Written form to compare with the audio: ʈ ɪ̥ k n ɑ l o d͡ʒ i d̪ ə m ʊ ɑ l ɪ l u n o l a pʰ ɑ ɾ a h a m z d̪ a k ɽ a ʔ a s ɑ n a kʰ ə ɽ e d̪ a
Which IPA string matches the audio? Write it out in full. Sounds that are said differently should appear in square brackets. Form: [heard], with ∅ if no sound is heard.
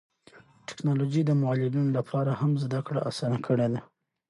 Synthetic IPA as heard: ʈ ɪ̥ k n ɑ l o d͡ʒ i d̪ ə m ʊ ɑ l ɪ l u n o l a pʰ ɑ ɾ a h a m z d̪ a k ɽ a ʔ a s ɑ n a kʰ ə ɽ e d̪ a